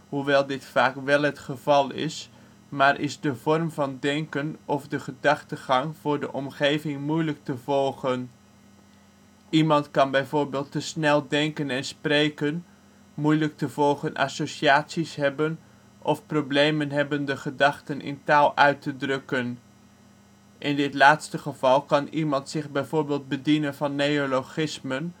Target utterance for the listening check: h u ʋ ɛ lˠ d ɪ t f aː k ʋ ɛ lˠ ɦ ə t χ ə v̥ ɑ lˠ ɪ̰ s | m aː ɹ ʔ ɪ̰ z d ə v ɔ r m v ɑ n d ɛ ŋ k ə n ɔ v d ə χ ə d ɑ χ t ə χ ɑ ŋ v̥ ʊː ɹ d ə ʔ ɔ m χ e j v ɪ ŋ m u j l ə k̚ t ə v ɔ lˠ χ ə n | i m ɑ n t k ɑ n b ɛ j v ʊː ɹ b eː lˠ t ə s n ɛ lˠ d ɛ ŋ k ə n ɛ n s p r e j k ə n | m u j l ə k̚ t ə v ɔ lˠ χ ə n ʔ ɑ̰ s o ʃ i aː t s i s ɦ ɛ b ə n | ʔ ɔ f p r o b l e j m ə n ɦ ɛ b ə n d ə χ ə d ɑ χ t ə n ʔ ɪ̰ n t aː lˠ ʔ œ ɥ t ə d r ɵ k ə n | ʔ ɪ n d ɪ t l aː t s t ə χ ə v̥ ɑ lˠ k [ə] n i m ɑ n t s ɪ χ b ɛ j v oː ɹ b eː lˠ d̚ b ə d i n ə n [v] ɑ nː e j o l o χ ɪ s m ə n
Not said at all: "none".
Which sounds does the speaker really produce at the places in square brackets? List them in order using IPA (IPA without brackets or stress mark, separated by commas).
ɑ, v